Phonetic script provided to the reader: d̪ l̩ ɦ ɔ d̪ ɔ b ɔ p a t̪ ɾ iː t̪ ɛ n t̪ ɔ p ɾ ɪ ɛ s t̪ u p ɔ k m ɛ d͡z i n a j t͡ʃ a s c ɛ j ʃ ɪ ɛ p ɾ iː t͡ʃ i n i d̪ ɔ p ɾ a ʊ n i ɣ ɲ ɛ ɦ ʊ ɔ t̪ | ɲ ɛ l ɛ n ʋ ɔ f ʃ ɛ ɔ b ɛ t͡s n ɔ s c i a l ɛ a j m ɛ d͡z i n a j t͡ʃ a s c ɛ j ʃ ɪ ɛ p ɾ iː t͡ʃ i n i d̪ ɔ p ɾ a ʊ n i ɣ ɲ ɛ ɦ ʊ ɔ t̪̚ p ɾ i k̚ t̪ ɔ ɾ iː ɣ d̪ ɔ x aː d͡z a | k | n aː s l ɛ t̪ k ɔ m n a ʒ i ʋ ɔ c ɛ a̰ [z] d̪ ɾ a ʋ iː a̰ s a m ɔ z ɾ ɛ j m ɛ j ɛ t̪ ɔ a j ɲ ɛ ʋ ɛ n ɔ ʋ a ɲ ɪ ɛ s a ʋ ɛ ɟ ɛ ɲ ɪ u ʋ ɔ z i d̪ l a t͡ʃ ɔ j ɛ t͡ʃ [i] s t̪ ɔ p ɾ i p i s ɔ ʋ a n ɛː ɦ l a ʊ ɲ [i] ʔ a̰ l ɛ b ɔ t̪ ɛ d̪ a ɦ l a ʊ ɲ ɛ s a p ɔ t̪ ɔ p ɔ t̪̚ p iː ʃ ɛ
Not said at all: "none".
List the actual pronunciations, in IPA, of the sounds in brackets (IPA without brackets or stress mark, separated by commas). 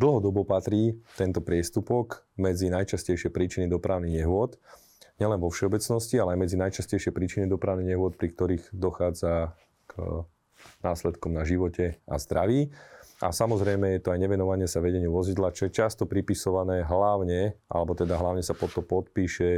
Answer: z, a, ɛ